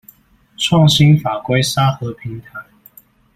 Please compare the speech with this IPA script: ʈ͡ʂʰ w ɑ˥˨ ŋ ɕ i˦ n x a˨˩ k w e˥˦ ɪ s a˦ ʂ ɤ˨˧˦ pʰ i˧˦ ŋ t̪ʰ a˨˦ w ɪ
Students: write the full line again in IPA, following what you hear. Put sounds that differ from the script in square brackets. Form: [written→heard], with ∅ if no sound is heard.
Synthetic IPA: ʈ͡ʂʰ w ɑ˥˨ ŋ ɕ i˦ n [x→f] a˨˩ k w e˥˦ ɪ s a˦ [ʂ→x] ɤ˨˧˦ pʰ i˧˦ ŋ t̪ʰ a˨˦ [w→∅] ɪ